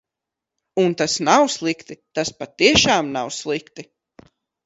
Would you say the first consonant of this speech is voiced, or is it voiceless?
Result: voiced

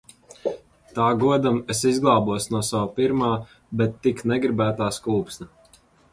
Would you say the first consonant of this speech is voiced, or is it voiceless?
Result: voiceless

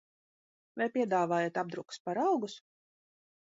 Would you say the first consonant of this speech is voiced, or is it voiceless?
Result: voiced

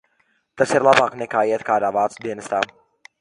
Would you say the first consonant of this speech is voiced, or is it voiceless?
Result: voiceless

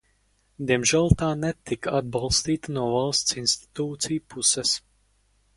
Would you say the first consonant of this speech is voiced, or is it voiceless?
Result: voiced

